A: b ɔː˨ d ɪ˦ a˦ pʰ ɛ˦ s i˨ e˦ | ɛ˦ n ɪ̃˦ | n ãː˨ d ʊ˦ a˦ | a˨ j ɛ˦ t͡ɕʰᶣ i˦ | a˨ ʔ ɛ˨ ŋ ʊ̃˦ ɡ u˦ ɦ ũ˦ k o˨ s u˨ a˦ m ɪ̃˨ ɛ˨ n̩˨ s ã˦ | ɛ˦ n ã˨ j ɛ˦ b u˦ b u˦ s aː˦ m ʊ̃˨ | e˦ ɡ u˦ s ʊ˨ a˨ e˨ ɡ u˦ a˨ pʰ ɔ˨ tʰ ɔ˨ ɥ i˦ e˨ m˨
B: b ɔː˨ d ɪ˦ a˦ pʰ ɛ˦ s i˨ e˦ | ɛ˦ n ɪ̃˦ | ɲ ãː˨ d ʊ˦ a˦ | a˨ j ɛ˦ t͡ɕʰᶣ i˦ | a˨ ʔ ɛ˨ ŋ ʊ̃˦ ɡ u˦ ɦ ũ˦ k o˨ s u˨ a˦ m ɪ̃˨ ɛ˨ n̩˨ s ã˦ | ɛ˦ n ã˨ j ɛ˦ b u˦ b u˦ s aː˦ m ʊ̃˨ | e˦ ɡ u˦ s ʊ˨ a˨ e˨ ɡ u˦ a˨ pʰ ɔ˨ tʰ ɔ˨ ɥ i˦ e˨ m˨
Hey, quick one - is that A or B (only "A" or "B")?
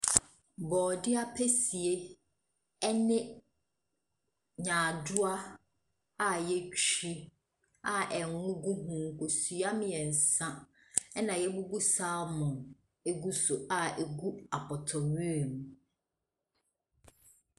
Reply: B